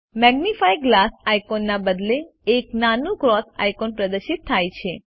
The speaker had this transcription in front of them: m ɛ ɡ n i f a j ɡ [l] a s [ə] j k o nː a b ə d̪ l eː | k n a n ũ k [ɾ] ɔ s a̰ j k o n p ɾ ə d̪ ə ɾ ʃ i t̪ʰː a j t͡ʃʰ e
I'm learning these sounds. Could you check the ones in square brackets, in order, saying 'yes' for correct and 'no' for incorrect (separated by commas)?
yes, no, yes